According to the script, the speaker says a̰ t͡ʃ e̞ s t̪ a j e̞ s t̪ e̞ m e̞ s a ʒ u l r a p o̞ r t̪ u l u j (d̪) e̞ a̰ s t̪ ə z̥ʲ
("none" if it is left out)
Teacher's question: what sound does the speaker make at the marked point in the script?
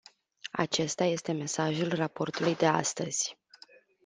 d̪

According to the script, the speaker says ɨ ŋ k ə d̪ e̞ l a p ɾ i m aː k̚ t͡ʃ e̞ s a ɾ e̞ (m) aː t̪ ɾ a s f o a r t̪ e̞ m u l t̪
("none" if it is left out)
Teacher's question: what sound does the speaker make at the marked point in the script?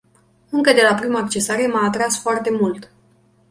m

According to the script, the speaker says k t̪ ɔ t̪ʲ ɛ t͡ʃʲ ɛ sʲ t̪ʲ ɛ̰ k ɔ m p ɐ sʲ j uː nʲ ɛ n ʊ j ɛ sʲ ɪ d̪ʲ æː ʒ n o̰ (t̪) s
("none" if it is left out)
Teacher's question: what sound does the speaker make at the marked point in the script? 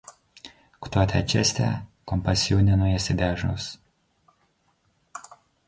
none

